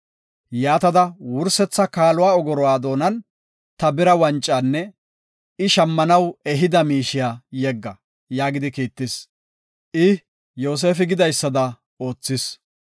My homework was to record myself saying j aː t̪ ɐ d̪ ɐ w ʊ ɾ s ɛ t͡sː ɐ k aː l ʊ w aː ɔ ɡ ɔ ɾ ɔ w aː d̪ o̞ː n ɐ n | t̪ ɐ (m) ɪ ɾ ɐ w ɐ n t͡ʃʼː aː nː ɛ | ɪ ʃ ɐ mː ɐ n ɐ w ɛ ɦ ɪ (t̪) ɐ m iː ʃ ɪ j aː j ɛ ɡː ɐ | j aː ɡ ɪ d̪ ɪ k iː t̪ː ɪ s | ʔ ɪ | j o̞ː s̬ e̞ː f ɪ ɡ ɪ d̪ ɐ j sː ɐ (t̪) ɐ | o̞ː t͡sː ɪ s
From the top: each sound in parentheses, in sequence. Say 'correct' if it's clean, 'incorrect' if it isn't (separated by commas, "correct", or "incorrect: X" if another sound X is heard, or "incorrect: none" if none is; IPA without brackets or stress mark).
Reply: incorrect: b, incorrect: d̪, incorrect: d̪